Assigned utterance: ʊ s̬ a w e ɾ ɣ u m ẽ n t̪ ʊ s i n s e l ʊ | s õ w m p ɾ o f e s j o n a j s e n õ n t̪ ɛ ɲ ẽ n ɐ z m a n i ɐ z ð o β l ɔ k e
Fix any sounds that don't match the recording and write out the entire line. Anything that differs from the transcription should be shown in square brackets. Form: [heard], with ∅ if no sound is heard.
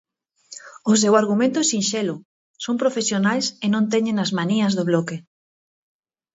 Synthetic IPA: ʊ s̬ [e] w [a] ɾ ɣ u m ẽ n t̪ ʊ s i n [ʃ] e l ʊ | s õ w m p ɾ o f e s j o n a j s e n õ n t̪ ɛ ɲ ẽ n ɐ z m a n i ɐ z ð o β l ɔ k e